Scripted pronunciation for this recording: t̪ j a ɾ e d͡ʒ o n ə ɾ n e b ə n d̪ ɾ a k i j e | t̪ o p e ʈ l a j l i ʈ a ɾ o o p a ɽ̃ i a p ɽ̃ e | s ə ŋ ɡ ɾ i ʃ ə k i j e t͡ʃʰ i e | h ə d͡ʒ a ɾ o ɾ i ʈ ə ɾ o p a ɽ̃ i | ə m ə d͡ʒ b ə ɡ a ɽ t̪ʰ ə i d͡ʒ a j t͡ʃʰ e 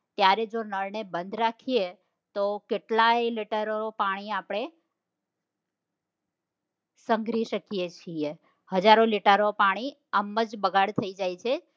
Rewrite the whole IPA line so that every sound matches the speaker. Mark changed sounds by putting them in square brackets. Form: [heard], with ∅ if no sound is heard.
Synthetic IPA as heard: t̪ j a ɾ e d͡ʒ o n ə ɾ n e b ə n d̪ ɾ a [kʰ] i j e | t̪ o [k] e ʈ l a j l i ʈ [ə] ɾ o o p a ɽ̃ i a p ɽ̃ e | s ə ŋ ɡ ɾ i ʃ ə k i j e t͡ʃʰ i e | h ə d͡ʒ a ɾ o [l] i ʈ ə ɾ o p a ɽ̃ i | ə m ə d͡ʒ b ə ɡ a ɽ t̪ʰ ə i d͡ʒ a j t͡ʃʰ e

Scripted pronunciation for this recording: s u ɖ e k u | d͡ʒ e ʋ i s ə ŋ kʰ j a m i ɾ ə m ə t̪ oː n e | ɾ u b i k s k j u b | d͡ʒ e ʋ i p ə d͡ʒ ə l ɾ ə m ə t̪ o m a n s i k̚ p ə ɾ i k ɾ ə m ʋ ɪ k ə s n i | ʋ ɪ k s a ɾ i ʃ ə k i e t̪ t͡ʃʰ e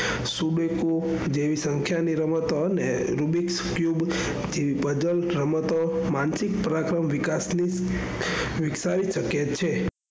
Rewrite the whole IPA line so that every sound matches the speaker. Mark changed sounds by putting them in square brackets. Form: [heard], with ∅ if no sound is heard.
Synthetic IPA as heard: s u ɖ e k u | d͡ʒ e ʋ i s ə ŋ kʰ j a [n] i ɾ ə m ə t̪ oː n e | ɾ u b i k s k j u b | d͡ʒ e ʋ i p ə d͡ʒ ə l ɾ ə m ə t̪ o m a n s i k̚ p ə ɾ [a] k ɾ ə m ʋ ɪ k [a] s n i | ʋ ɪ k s a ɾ i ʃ ə k [j] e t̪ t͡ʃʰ e

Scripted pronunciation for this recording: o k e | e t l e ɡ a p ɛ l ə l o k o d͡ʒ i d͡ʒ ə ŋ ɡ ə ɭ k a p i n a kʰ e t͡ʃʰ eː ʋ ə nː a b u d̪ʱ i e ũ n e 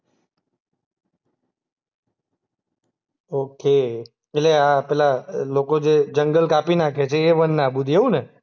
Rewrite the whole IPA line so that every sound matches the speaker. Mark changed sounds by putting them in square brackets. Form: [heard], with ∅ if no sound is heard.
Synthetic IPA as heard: o k e | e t l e [∅] a p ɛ l [a] l o k o d͡ʒ [e] d͡ʒ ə ŋ ɡ ə [l] k a p i n a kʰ e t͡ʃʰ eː ʋ ə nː a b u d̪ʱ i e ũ n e

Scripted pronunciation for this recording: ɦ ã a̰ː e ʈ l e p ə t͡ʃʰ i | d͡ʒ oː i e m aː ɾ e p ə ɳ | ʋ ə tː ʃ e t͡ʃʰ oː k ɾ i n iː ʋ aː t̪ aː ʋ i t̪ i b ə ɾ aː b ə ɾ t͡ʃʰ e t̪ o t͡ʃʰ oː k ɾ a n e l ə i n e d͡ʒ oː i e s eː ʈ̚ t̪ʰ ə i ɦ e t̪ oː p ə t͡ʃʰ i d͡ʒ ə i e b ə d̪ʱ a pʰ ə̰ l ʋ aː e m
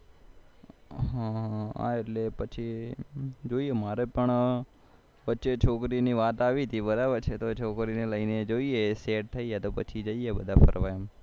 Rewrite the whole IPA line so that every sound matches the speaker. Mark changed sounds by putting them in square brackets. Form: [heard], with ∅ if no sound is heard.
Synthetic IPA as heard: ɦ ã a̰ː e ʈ l e p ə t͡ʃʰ i | d͡ʒ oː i e m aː ɾ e p ə ɳ | ʋ ə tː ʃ e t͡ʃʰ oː k ɾ i n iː ʋ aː t̪ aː ʋ i t̪ i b ə ɾ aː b ə ɾ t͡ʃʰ e t̪ o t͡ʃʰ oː k ɾ [i] n e l ə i n e d͡ʒ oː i e s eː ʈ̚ t̪ʰ ə i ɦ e t̪ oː p ə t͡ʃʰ i d͡ʒ ə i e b ə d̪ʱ a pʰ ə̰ [ɾ] ʋ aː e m

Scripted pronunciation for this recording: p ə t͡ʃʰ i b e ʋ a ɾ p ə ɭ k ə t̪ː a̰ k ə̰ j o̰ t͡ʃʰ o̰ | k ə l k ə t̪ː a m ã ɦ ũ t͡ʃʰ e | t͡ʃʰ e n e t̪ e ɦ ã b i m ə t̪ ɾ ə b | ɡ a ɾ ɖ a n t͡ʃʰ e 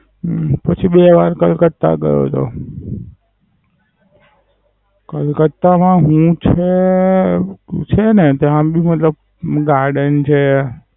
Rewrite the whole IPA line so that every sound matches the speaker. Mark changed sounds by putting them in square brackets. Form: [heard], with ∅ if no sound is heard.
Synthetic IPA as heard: p ə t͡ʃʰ i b e ʋ a ɾ [k] ə [l] k ə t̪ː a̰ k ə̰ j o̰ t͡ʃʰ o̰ | k ə l k ə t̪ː a m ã ɦ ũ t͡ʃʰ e | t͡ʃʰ e n e t̪ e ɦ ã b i m ə t̪ [l] ə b | ɡ a ɾ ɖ [ə] n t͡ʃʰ e

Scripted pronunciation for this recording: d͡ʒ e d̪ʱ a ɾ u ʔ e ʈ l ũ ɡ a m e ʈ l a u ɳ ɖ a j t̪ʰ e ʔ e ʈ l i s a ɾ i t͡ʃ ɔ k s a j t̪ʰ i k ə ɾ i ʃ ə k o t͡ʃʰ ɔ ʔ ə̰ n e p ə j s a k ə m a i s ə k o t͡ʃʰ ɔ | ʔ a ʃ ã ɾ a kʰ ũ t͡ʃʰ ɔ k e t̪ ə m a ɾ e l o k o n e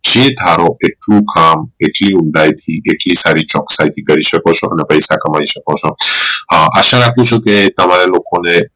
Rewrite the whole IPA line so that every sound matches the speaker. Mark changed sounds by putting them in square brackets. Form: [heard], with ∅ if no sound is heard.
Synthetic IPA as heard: d͡ʒ e d̪ʱ a ɾ [o] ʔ e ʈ l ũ [k] a m e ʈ l [i] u ɳ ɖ a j t̪ʰ [i] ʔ e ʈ l i s a ɾ i t͡ʃ ɔ k s a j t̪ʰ i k ə ɾ i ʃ ə k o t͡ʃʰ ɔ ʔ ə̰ n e p ə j s a k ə m a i [ʃ] ə k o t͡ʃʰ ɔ | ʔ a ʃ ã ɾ a kʰ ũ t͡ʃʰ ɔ k e t̪ ə m a ɾ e l o k o n e

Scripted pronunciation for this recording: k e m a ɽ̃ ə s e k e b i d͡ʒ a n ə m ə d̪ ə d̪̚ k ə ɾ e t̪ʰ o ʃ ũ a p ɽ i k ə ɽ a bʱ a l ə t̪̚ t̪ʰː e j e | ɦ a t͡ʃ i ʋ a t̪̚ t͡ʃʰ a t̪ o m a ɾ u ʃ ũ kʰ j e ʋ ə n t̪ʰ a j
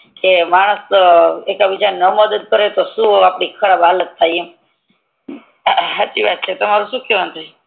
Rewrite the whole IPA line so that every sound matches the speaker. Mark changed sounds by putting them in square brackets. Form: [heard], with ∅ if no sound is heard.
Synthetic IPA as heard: k e m a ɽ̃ ə s e k [a] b i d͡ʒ a n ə m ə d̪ ə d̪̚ k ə ɾ e [t̪] o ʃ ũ a p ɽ i [kʰ] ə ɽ a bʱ a l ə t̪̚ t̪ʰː [a] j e | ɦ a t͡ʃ i ʋ a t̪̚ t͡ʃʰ [e] t̪ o m a ɾ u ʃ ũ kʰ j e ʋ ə n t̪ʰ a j

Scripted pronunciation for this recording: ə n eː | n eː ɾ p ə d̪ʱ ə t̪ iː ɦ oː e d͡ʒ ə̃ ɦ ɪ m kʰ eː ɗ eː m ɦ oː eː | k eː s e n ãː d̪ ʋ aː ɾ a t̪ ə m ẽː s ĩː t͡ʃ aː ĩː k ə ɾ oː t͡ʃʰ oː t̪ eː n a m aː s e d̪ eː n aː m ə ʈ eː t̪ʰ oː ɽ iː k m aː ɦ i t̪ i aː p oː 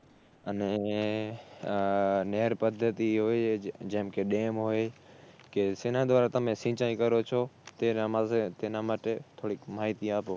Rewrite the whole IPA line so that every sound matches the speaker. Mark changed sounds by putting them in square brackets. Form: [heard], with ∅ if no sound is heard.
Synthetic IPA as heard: ə n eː | n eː ɾ p ə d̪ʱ ə t̪ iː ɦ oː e d͡ʒ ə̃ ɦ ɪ m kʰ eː ɗ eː m ɦ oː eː | k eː s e n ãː d̪ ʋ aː ɾ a t̪ ə m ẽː s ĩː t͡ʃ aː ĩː k ə ɾ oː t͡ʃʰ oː t̪ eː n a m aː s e [t̪] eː n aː m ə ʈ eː t̪ʰ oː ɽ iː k m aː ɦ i t̪ i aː p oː

